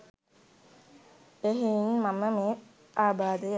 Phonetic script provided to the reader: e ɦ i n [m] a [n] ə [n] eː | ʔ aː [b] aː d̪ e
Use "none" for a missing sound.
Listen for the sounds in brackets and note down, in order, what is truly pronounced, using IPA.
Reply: m, m, m, b

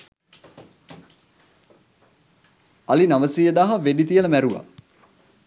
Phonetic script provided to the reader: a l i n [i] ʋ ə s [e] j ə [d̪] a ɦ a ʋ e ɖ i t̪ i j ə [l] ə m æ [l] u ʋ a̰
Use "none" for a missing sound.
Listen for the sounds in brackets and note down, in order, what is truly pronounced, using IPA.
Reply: a, i, d̪, l, ɾ

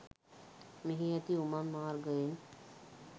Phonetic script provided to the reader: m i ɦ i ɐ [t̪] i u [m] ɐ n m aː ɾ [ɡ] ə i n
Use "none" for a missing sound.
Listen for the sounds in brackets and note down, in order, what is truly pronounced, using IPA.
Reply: t̪, m, ɡ

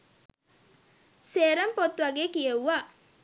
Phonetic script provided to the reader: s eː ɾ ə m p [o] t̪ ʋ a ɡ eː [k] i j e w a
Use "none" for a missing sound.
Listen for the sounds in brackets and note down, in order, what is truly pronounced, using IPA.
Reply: o, k

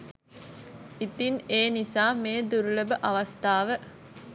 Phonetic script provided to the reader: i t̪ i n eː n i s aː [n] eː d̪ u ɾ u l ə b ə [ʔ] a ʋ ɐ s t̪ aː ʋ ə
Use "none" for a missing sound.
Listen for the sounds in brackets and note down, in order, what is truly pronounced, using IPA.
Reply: m, ʔ

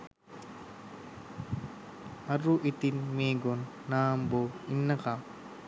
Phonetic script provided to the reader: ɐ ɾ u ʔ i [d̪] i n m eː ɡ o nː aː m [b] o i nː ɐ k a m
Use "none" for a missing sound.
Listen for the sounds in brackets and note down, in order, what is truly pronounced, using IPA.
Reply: t̪, b

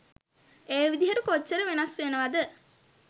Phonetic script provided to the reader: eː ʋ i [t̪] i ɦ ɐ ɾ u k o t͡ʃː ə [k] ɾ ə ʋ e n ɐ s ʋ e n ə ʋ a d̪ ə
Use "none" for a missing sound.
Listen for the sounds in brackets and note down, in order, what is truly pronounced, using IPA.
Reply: d̪, none

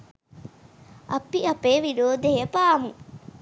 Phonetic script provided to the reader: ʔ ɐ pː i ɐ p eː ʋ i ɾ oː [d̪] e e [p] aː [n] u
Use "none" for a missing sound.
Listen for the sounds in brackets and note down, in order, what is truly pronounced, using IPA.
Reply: d̪, p, m

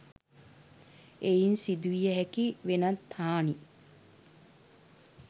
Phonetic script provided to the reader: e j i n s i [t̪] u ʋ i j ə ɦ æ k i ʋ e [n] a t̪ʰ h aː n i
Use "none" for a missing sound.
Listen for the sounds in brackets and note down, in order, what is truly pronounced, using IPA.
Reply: d̪, n

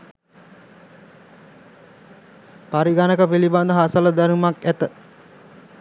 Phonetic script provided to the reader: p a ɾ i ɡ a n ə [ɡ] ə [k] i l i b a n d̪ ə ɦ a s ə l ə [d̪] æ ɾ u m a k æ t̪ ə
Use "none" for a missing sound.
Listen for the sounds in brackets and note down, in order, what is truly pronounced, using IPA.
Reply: k, p, d̪

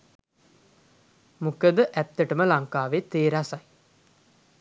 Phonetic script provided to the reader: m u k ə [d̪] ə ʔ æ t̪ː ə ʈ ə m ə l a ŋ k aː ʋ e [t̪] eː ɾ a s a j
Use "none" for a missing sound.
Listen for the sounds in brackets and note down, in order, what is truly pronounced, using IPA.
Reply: d̪, t̪

